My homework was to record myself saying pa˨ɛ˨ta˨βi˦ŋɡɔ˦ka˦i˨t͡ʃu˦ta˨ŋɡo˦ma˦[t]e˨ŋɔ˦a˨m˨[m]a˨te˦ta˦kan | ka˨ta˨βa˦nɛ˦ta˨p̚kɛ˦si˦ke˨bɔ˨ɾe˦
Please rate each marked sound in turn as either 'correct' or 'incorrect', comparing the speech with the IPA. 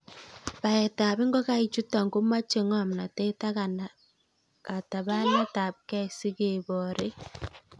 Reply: incorrect: t͡ʃ, incorrect: n

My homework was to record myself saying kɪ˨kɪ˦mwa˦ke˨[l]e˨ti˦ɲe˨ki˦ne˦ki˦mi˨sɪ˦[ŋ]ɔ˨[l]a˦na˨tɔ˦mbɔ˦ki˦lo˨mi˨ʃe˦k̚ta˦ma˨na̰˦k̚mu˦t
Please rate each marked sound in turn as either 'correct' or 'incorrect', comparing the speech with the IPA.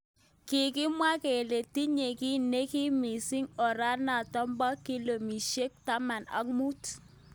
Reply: correct, correct, incorrect: ɾ

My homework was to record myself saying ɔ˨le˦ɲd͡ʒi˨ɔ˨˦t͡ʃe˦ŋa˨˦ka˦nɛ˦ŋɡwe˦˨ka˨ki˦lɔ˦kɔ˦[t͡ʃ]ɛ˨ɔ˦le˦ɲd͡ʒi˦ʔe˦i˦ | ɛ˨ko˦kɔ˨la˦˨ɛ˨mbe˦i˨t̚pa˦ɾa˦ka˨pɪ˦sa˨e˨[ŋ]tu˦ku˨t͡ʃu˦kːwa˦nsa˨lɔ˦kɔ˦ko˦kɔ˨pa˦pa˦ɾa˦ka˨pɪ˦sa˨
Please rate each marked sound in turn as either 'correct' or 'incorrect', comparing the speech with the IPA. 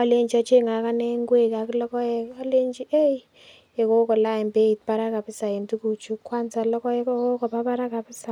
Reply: incorrect: none, incorrect: n

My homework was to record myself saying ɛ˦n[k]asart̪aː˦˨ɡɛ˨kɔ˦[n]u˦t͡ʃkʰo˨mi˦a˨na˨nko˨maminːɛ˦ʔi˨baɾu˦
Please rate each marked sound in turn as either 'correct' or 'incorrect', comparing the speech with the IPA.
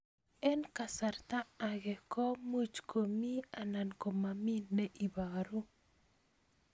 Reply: correct, incorrect: m

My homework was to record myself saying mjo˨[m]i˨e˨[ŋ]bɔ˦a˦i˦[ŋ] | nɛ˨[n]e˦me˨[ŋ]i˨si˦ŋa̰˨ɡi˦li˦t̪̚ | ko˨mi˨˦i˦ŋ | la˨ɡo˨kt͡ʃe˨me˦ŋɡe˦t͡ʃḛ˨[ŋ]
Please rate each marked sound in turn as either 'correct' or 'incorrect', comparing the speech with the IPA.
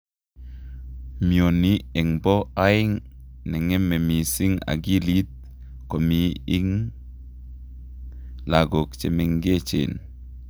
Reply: incorrect: n, correct, correct, incorrect: ŋ, incorrect: m, incorrect: n

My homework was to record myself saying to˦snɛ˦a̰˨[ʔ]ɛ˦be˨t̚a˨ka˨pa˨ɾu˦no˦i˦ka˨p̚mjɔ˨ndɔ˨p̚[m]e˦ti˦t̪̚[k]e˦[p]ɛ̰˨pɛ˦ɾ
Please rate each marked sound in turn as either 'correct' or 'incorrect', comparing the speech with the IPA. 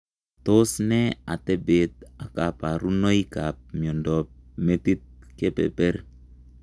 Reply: incorrect: t, correct, correct, correct

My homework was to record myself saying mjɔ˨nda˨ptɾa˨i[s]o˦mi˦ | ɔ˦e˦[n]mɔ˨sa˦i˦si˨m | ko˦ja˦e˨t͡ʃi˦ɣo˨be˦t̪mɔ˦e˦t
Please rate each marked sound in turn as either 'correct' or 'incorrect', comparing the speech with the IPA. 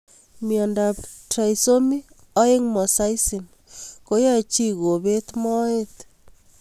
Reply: correct, incorrect: ŋ

